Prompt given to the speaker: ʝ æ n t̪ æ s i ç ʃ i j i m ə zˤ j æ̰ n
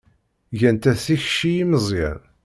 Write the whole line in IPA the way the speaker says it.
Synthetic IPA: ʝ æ n t̪ æ θ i ç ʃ i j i m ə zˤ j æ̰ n